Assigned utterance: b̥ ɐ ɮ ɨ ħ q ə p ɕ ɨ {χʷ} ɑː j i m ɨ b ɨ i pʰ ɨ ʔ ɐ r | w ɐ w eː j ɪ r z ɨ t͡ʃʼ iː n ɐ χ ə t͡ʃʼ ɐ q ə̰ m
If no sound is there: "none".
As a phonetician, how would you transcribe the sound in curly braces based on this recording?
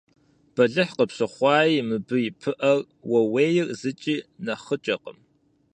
χʷ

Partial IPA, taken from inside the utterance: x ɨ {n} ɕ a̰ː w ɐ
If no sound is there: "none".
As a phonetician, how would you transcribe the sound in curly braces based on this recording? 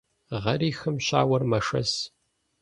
m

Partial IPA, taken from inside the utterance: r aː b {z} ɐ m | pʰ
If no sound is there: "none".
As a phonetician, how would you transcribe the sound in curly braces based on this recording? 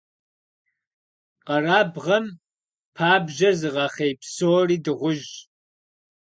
ʁ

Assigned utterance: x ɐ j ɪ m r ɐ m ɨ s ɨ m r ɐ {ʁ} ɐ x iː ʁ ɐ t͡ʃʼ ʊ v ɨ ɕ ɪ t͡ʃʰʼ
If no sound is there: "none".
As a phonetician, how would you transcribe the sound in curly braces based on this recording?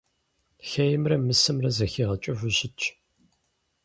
z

